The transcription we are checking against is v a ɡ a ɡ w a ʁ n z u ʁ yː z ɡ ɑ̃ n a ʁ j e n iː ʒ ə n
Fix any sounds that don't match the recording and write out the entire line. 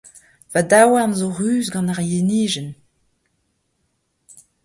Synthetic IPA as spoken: v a d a w a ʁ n z o ʁ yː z ɡ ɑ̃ n a ʁ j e n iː ʒ ə n